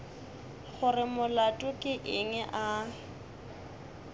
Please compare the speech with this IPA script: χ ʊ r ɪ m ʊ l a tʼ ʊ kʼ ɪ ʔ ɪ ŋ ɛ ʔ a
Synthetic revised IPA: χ ʊ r ɪ m ʊ l a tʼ ʊ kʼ ɪ ʔ ɪ ŋ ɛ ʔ a